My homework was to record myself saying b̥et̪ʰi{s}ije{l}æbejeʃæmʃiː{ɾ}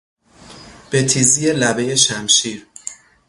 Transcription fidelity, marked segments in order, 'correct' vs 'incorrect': incorrect: z, correct, correct

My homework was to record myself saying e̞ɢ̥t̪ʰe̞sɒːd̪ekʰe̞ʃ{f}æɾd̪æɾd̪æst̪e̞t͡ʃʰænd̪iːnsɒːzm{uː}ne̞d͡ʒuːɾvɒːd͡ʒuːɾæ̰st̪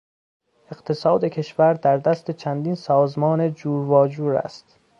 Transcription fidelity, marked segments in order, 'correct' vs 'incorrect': incorrect: v, incorrect: ɒː

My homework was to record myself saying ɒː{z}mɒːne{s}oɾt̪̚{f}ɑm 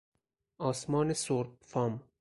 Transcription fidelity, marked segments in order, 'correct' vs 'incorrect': incorrect: s, correct, correct

